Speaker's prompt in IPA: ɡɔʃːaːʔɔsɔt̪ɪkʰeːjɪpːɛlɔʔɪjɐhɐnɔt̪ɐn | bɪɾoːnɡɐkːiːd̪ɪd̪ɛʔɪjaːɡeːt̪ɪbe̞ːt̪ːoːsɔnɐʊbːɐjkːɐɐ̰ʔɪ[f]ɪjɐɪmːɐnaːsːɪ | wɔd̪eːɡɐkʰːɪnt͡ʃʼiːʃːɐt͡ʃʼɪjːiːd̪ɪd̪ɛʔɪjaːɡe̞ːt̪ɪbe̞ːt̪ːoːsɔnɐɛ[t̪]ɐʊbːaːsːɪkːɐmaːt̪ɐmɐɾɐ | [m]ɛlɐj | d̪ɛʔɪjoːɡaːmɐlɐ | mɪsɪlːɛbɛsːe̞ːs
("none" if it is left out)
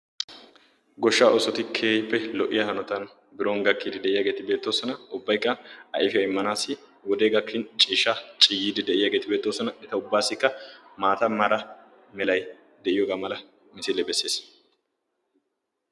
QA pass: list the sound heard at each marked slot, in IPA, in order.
f, t̪, m

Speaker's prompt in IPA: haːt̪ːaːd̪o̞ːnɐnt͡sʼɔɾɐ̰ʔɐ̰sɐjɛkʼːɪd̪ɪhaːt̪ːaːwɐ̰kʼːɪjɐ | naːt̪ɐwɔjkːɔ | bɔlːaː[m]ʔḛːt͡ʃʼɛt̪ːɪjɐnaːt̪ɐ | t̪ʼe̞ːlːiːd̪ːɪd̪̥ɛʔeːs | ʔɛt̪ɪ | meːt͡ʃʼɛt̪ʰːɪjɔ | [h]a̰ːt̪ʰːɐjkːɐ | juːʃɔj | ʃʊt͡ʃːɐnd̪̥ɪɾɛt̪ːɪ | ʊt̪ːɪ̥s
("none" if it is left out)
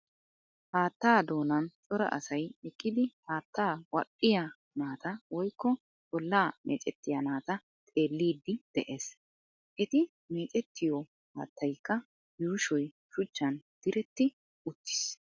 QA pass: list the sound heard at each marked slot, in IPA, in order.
m, h

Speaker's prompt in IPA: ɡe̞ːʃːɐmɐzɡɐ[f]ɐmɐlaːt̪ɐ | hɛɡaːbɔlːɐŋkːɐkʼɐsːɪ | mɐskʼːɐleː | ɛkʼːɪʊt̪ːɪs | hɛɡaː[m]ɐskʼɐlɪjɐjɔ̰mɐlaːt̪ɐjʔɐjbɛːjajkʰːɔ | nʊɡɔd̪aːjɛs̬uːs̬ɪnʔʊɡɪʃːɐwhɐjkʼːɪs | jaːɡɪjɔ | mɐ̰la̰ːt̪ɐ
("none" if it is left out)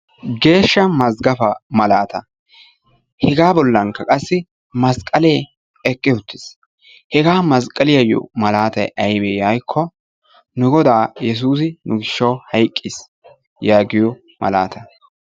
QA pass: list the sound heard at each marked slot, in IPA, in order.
f, m

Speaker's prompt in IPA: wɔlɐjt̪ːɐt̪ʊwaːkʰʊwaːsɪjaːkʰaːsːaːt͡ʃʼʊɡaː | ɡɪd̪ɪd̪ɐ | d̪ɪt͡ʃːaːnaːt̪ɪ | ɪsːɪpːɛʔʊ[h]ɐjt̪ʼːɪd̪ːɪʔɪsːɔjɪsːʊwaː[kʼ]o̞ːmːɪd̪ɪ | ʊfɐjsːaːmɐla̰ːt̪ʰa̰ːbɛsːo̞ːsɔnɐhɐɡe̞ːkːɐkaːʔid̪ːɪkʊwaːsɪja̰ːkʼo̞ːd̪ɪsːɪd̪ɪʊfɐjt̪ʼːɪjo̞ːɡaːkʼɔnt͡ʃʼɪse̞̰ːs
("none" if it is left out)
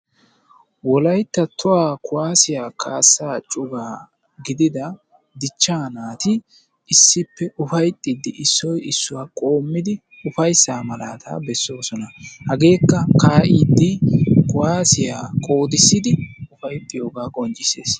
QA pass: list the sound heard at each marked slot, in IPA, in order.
f, kʼ

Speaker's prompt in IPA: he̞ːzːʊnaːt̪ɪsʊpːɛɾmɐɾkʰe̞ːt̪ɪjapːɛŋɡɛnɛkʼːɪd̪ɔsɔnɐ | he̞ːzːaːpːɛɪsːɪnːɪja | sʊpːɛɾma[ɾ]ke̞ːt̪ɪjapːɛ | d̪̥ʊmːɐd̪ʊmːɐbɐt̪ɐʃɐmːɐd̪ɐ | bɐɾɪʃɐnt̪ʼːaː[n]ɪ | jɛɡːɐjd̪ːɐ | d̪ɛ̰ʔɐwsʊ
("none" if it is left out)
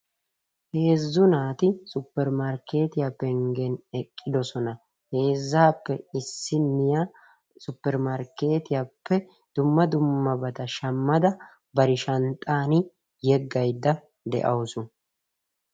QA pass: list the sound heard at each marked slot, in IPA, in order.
ɾ, n

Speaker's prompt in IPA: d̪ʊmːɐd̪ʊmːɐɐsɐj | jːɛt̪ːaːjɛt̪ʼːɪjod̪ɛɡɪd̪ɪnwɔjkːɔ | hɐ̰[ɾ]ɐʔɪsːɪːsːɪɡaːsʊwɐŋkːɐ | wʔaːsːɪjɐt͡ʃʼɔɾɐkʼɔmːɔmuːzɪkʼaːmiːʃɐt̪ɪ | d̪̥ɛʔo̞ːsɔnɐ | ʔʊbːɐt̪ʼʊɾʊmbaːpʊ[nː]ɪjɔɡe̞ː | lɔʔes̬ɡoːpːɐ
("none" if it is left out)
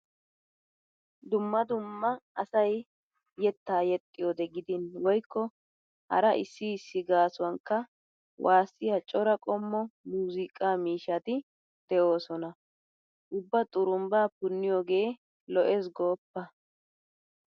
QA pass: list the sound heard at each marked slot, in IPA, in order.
ɾ, nː

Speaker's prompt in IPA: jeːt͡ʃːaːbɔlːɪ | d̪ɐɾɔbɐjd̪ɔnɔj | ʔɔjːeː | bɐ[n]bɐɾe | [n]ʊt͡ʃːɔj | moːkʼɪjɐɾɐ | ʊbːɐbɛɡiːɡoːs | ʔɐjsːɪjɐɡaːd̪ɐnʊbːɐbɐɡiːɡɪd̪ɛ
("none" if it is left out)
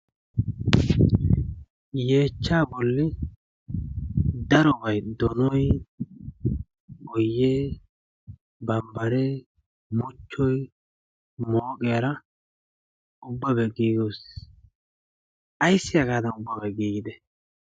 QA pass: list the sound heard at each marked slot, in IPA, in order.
m, m

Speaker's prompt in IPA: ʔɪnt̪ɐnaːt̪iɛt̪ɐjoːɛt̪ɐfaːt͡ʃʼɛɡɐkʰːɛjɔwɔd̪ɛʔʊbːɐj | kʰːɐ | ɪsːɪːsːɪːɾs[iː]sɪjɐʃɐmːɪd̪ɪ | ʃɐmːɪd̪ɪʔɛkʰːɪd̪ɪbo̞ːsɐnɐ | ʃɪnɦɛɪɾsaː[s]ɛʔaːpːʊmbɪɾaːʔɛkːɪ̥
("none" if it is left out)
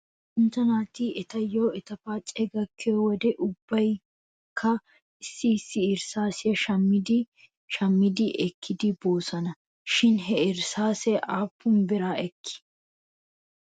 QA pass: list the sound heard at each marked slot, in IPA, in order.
aː, s

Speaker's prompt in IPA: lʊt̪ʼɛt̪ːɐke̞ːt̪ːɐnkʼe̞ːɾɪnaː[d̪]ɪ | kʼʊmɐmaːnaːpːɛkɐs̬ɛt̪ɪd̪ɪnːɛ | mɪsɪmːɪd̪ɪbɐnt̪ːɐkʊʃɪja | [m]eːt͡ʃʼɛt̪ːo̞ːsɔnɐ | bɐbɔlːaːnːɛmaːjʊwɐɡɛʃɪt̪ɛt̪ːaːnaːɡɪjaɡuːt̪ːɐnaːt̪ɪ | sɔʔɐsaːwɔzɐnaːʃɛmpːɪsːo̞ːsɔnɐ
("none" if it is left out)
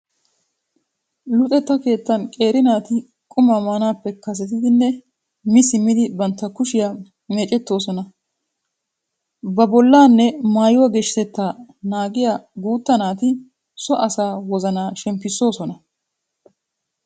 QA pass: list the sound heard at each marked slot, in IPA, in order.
t̪, m

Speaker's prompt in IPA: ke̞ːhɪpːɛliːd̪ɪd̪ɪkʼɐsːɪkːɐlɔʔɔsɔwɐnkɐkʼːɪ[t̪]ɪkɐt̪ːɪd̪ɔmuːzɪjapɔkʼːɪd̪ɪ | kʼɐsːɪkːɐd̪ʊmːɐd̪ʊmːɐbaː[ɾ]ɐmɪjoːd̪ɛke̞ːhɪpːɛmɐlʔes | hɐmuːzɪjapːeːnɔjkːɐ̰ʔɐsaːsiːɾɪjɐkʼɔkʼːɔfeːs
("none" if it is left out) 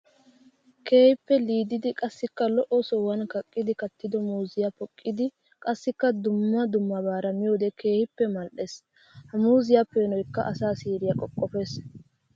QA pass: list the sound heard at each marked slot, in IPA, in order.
d̪, ɾ

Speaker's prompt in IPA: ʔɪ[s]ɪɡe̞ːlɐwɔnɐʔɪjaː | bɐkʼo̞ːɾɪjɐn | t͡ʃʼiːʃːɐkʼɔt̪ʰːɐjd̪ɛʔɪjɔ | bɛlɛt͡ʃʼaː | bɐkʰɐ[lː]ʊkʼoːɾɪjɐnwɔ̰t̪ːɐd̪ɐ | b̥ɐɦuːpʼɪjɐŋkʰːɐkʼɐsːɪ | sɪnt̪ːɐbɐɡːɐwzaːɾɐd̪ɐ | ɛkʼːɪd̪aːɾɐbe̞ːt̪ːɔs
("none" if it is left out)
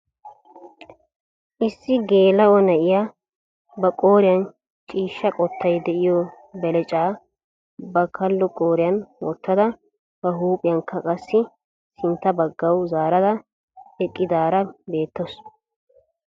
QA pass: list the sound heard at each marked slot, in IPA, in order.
sː, lː

